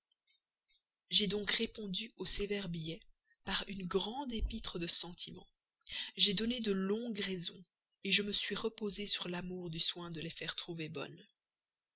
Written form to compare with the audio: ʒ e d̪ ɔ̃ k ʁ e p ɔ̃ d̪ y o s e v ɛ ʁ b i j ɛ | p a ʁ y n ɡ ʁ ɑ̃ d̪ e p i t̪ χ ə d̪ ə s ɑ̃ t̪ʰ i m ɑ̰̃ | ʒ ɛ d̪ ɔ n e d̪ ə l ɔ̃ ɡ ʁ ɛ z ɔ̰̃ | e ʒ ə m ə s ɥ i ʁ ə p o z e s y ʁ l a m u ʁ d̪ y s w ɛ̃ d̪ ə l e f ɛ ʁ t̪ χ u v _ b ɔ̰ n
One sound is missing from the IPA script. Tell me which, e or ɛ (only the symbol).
e